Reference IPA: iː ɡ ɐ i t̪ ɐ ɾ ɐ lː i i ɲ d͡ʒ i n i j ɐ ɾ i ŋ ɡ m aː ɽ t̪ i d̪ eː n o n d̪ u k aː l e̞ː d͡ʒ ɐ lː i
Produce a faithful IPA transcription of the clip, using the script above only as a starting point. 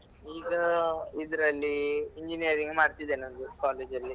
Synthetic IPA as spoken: iː ɡ ɐ i d̪ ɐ ɾ ɐ lː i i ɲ d͡ʒ i n i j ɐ ɾ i ŋ ɡ m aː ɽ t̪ i d̪ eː n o n d̪ u k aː l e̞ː d͡ʒ ɐ lː i

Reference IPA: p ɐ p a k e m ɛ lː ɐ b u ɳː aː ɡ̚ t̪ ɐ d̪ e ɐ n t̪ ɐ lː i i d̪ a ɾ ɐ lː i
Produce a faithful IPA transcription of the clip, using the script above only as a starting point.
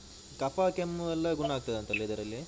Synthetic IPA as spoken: k ɐ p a k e m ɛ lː ɐ ɡ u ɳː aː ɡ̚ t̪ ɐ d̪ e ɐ n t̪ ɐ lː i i d̪ ɐ ɾ ɐ lː i

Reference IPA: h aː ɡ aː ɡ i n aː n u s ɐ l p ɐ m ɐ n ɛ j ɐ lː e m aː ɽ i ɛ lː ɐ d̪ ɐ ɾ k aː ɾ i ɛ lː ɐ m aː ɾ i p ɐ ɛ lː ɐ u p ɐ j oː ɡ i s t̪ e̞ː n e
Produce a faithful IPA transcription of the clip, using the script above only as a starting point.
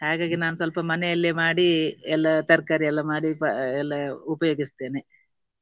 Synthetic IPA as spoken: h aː ɡ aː ɡ i n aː n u s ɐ l p ɐ m ɐ n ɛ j ɐ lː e m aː ɽ i ɛ lː ɐ t̪ ɐ ɾ k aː ɾ i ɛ lː ɐ m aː ɽ i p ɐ ɛ lː ɐ u p ɐ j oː ɡ i s t̪ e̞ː n e

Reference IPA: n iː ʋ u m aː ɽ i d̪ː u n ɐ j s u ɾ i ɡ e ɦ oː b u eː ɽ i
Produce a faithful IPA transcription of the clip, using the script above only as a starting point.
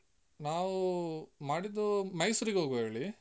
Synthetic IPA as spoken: n aː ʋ u m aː ɽ i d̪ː u m ɐ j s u ɾ i ɡ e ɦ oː ɡ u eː ɭ i

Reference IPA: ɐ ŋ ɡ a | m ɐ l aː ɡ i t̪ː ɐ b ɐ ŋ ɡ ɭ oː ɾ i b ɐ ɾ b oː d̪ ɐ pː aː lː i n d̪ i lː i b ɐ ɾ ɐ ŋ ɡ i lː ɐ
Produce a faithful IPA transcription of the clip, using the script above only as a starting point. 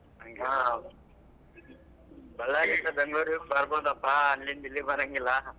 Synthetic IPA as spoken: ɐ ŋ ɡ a | b ɐ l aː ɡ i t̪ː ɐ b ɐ ŋ ɡ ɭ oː ɾ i b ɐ ɾ b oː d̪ ɐ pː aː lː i n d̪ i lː i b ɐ ɾ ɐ ŋ ɡ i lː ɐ

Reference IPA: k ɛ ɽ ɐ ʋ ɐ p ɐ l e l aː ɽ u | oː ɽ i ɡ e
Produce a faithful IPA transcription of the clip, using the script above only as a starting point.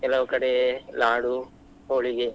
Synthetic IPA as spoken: k ɛ l ɐ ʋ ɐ k ɐ ɽ e l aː ɽ u | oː ɭ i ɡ e

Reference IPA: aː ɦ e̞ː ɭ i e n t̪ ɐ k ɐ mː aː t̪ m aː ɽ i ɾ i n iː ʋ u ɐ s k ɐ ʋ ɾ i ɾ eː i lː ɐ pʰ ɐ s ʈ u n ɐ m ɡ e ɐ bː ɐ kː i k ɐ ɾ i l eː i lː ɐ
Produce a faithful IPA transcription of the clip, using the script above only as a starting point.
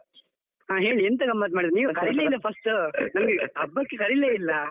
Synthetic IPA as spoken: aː ɦ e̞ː ɭ i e n t̪ ɐ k ɐ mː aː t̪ m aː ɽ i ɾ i n iː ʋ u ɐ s k ɐ ɾ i l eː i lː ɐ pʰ ɐ s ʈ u n ɐ m ɡ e ɐ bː ɐ kː e k ɐ ɾ i l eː i lː ɐ

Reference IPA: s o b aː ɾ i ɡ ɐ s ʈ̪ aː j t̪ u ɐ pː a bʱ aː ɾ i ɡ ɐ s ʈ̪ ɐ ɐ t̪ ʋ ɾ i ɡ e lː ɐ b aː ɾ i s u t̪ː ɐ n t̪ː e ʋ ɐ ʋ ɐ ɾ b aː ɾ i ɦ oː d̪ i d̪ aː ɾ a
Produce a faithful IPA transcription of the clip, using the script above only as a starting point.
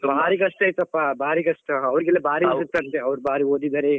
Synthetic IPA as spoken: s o b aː ɾ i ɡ ɐ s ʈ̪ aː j t̪ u ɐ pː a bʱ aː ɾ i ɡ ɐ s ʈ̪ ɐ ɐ ʋ ɾ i ɡ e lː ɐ b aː ɾ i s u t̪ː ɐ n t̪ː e ɐ ʋ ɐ ɾ b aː ɾ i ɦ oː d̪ i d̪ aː ɾ e

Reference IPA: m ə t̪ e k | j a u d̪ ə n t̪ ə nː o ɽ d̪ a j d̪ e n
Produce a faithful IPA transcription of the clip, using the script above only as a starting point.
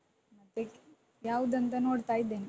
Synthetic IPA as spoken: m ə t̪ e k | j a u d̪ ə n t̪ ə n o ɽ t̪ a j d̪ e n

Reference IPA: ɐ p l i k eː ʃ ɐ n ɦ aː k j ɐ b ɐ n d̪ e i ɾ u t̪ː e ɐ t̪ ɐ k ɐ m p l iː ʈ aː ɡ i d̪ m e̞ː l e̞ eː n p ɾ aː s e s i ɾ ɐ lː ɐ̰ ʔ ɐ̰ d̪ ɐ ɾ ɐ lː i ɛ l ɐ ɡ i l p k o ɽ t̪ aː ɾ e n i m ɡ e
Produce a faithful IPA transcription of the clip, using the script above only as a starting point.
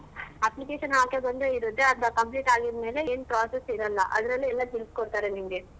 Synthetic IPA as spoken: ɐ p l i k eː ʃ ɐ n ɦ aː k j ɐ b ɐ n d̪ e i ɾ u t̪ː e ɐ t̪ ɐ k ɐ m p l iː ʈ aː ɡ i d̪ m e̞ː l e̞ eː n p ɾ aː s e s i ɾ ɐ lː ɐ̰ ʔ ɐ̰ d̪ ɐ ɾ ɐ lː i ɛ lː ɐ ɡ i l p k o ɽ t̪ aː ɾ e n i m ɡ e

